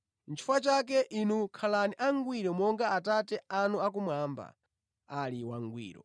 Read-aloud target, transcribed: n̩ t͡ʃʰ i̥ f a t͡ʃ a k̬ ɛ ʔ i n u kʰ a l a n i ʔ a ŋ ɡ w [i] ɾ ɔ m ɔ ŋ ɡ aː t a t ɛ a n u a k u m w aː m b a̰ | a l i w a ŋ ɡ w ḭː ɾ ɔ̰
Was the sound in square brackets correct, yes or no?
yes